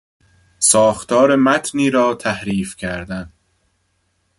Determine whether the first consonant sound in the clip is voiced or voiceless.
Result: voiceless